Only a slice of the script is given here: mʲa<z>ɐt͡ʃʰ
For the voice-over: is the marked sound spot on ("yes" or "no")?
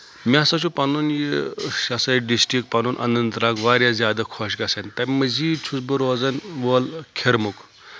no